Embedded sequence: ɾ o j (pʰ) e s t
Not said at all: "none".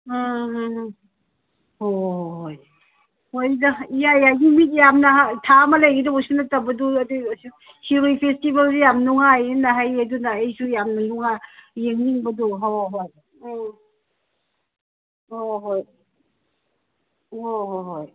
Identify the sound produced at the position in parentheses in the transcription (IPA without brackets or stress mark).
pʰ